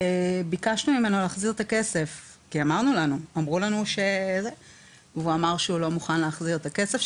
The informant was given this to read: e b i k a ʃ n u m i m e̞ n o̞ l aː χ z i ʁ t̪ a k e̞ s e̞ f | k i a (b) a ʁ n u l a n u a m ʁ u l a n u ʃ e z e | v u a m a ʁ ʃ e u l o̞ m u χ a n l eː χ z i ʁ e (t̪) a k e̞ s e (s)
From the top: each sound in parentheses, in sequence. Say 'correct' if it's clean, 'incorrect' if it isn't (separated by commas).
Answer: incorrect, correct, incorrect